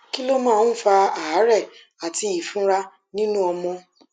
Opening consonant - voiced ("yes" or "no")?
no